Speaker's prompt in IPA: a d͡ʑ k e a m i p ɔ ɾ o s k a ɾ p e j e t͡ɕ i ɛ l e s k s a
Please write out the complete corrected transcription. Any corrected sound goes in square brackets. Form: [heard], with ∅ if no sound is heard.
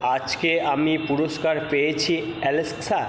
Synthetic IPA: a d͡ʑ k e a m i p [u] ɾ o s k a ɾ p e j e [t͡ɕʰ] i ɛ l e s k s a

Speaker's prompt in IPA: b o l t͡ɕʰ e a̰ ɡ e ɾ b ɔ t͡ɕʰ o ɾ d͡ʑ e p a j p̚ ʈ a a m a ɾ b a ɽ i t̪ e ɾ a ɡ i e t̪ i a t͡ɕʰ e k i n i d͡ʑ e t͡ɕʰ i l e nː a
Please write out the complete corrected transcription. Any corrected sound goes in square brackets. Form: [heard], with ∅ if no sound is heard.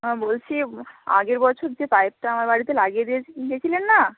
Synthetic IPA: b o l t͡ɕʰ [i] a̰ ɡ e ɾ b ɔ t͡ɕʰ o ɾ d͡ʑ e p a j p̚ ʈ a a m a ɾ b a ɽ i t̪ e [l] a ɡ i e [d̪] i [e] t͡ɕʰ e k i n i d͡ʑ e t͡ɕʰ i l e nː a

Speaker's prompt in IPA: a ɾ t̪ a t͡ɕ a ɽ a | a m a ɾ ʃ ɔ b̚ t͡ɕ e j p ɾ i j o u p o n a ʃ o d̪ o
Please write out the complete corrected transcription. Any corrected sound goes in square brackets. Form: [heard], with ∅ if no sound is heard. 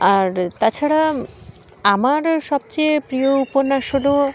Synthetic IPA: a ɾ t̪ a [t͡ɕʰ] a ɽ a | a m a ɾ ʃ ɔ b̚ t͡ɕ e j p ɾ i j o u p o n a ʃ o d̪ o

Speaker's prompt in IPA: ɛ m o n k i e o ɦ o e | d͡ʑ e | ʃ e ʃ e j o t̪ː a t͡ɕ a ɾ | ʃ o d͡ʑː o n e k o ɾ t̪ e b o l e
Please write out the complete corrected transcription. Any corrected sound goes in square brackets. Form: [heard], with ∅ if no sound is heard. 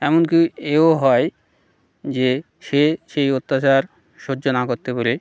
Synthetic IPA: ɛ m o n k i e o ɦ [ɔ] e | d͡ʑ e | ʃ e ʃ e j o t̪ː a t͡ɕ a ɾ | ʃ o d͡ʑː o n [a] k o ɾ t̪ e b o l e

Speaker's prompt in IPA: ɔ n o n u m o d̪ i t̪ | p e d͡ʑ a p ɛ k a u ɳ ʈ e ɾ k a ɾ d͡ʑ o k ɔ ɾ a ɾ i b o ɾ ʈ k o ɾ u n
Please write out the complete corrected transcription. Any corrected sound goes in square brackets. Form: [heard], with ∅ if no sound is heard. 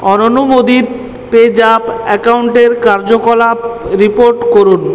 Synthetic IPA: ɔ n o n u m o d̪ i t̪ | p e d͡ʑ a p ɛ k a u ɳ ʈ e ɾ k a ɾ d͡ʑ o k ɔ [l] a ɾ i [p] o ɾ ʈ k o ɾ u n

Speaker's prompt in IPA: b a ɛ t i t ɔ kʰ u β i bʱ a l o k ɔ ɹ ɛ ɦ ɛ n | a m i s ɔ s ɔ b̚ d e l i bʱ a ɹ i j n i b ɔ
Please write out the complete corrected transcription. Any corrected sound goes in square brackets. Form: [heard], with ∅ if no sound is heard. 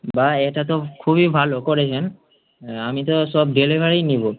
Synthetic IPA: b a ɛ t [a] t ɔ kʰ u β i bʱ a l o k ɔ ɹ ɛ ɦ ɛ n | a m i [t] ɔ s ɔ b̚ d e l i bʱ a ɹ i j n i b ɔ

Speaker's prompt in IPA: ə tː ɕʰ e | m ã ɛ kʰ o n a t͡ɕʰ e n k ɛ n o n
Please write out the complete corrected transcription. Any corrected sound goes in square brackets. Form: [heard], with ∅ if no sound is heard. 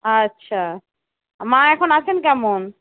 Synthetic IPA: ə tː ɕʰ [a] | m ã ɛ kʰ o n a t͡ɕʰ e n k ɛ [m] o n

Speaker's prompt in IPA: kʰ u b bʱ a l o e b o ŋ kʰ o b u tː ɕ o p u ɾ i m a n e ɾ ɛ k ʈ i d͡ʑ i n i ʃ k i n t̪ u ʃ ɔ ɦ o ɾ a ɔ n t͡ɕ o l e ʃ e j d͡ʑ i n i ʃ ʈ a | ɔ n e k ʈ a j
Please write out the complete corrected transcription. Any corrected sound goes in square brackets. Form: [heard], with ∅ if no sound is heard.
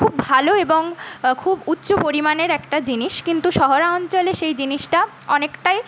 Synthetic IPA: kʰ u b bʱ a l o e b o ŋ kʰ [u] b u tː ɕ o p [o] ɾ i m a n e ɾ ɛ k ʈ [a] d͡ʑ i n i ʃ k i n t̪ u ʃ ɔ ɦ o ɾ a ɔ n t͡ɕ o l e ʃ e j d͡ʑ i n i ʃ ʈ a | ɔ n e k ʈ a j

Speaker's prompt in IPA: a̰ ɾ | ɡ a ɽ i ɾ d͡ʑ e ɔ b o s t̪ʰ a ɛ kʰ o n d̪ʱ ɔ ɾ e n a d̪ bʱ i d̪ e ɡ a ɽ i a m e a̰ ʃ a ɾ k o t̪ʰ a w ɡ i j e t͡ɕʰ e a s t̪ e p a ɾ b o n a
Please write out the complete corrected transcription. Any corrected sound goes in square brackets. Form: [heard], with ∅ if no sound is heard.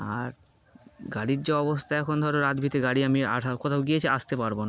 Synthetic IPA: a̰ ɾ | ɡ a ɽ i ɾ d͡ʑ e ɔ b o s t̪ʰ a ɛ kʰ o n d̪ʱ ɔ ɾ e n a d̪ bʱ i [t̪] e ɡ a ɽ i a m [i] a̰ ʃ a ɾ k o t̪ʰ a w ɡ i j e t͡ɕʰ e a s t̪ e p a ɾ b o n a

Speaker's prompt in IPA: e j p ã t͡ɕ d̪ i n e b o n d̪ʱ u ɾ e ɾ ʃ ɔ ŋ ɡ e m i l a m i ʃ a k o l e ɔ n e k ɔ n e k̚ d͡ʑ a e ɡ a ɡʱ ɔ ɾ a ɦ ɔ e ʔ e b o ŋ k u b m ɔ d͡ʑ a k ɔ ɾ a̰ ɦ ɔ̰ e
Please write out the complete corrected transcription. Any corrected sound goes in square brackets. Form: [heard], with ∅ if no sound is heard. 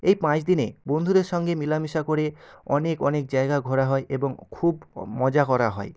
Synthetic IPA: e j p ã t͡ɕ d̪ i n e b o n d̪ʱ u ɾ e ɾ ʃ ɔ ŋ ɡ e m i l a m i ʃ a k o [ɾ] e ɔ n e k ɔ n e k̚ d͡ʑ a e ɡ a ɡʱ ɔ ɾ a ɦ ɔ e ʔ e b o ŋ [kʰ] u b m ɔ d͡ʑ a k ɔ ɾ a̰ ɦ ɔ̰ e

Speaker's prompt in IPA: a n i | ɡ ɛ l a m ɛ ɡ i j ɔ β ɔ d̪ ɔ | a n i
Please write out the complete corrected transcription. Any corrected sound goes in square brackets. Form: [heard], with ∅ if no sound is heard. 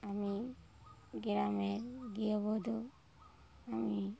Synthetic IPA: a [m] i | ɡ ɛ [ɾ] a m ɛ ɡ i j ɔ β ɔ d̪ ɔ | a [m] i

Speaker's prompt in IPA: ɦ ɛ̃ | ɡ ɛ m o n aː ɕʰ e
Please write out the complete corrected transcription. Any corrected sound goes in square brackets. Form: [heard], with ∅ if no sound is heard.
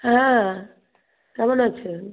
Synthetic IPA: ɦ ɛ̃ | [k] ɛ m o n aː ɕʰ e

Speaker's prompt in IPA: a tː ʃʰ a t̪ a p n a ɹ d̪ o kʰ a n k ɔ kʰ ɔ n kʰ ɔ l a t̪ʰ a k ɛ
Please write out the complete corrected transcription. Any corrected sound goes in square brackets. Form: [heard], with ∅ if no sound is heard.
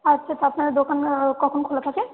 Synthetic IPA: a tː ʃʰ a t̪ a p n a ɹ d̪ o [k] a n k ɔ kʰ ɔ n kʰ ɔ l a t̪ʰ a k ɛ

